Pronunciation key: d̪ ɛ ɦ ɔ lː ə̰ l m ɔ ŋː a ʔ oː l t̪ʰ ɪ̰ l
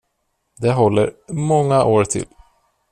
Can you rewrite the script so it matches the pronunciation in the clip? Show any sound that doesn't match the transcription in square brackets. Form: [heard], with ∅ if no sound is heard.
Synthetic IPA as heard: d̪ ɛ ɦ ɔ lː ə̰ [ɾ] m ɔ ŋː a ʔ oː [ɾ] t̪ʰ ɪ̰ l